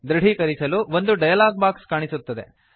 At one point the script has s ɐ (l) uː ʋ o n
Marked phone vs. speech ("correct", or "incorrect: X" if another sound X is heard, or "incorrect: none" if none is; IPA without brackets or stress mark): correct